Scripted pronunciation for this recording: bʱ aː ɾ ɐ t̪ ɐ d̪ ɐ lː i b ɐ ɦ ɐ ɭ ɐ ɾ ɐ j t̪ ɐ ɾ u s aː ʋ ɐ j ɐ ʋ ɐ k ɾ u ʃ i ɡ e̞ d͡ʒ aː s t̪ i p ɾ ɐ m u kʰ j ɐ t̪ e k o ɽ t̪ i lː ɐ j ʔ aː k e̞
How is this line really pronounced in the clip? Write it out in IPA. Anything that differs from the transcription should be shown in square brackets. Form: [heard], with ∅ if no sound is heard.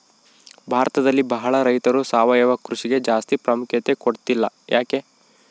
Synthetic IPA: bʱ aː ɾ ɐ t̪ ɐ d̪ ɐ lː i b ɐ ɦ ɐ ɭ ɐ ɾ ɐ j t̪ ɐ ɾ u s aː ʋ ɐ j ɐ ʋ ɐ k ɾ u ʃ i ɡ e̞ d͡ʒ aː s t̪ i p ɾ ɐ m u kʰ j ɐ t̪ e k o ɽ t̪ i lː ɐ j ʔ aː k e̞